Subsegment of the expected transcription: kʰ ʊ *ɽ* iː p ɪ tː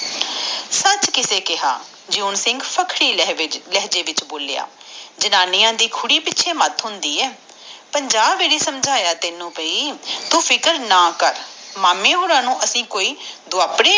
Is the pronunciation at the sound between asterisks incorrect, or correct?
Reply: correct